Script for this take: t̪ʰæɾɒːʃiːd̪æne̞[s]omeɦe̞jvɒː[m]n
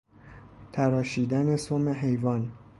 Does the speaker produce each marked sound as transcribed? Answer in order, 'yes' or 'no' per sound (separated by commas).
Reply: yes, no